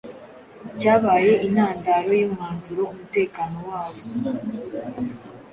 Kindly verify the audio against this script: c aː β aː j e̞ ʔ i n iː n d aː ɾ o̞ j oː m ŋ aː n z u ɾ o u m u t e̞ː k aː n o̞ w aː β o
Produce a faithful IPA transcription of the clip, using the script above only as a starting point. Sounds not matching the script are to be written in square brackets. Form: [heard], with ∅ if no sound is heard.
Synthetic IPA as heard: c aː β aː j e̞ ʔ i n [aː] n d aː ɾ o̞ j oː m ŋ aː n z u ɾ o u m u t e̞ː k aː n o̞ w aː β o